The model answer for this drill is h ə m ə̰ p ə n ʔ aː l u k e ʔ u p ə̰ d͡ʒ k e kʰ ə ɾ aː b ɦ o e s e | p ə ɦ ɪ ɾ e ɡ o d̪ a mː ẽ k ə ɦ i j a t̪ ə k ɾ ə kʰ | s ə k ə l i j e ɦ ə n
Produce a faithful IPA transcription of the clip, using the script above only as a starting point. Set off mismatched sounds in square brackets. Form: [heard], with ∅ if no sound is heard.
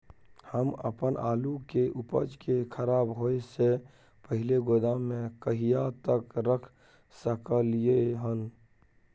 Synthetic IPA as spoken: h ə m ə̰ p ə n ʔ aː l u k e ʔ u p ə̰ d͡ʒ k e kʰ ə ɾ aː b ɦ o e s e | p ə ɦ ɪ [l] e ɡ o d̪ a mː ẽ k ə ɦ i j a t̪ ə k ɾ ə kʰ | s ə k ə l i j e ɦ ə n